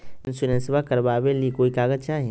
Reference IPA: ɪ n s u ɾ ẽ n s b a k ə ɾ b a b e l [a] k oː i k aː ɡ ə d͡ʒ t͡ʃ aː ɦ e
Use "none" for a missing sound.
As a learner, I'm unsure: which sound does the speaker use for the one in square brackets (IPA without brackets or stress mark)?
i